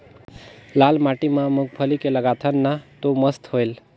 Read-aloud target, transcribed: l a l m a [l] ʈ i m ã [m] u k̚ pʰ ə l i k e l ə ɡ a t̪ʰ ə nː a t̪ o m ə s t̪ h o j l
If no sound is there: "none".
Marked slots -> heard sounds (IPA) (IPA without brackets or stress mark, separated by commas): none, m